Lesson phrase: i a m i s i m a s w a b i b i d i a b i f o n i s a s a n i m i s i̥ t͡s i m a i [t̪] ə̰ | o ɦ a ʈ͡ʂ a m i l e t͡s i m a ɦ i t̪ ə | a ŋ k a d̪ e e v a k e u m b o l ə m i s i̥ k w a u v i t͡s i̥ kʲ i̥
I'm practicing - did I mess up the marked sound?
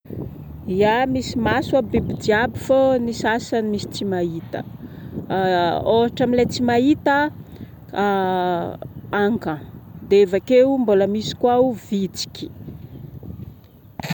no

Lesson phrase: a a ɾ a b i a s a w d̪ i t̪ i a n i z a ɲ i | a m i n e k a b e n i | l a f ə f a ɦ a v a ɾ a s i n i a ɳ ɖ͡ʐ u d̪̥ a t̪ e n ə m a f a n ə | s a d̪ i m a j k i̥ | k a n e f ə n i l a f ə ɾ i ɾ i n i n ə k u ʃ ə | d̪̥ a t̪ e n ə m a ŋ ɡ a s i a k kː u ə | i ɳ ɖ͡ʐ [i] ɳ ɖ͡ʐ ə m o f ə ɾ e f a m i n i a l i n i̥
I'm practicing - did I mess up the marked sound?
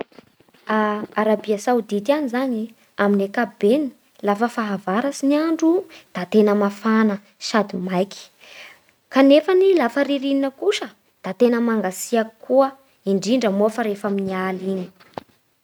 no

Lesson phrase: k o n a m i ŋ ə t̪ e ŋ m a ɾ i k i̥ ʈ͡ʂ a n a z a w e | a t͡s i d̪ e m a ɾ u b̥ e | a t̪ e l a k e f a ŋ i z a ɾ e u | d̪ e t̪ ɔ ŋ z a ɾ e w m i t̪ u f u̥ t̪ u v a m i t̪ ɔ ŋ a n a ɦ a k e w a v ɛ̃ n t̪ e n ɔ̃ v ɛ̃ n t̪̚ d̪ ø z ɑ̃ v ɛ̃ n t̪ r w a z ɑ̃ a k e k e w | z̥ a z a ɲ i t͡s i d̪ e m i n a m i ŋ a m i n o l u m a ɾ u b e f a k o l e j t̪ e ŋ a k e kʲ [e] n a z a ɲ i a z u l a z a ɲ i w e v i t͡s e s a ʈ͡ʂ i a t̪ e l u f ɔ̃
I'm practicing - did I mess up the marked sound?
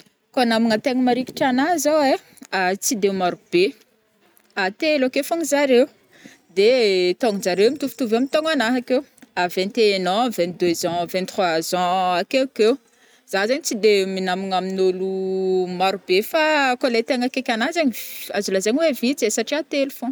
yes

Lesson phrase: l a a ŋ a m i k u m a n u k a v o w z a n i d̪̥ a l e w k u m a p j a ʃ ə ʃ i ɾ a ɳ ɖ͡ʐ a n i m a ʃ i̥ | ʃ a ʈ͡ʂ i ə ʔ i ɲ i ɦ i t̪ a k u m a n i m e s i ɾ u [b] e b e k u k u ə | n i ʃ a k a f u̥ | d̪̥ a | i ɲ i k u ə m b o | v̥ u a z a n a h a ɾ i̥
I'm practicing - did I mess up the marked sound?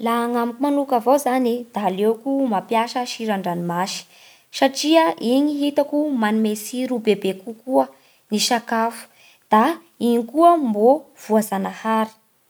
no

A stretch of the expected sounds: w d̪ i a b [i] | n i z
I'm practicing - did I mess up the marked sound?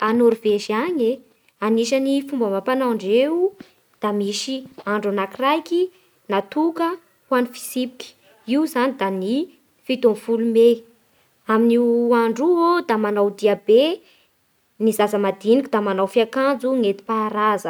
yes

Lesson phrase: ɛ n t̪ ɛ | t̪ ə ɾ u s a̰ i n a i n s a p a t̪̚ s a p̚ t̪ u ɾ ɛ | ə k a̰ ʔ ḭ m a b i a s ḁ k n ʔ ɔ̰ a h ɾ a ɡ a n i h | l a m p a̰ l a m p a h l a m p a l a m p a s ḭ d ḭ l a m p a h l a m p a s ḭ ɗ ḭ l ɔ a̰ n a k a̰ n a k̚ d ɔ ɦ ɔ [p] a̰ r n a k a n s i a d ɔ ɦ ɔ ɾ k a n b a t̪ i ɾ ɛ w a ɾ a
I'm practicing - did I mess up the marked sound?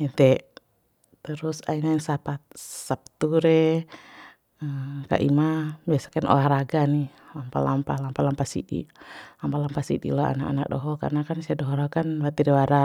yes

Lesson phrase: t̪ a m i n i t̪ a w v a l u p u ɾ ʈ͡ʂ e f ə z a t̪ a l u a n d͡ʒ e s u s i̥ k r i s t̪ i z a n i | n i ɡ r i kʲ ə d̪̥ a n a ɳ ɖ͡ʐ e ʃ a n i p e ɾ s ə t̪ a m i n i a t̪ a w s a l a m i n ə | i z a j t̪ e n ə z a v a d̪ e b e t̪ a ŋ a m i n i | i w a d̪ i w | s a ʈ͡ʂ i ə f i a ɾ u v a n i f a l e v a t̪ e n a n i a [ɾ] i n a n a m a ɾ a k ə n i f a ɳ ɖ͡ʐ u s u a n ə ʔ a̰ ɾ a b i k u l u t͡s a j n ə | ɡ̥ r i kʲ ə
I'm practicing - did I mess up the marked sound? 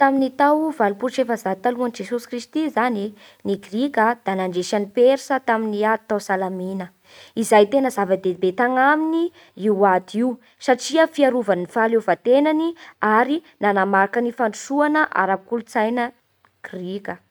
no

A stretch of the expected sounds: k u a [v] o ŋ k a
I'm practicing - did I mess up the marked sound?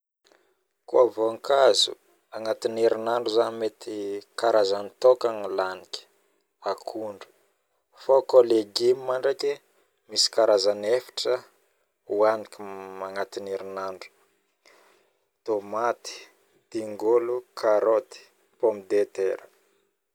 no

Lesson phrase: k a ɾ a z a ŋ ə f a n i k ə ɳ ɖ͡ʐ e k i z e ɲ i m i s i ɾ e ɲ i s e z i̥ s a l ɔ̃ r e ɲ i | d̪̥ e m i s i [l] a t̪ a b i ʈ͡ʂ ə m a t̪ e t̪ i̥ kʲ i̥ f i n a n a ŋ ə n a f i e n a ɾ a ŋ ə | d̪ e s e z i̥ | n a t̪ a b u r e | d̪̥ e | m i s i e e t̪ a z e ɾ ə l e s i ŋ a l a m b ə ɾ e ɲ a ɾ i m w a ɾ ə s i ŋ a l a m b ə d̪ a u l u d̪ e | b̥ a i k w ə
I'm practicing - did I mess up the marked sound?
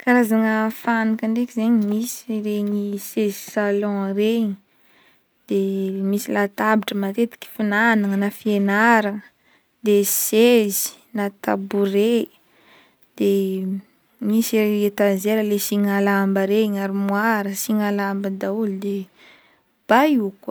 no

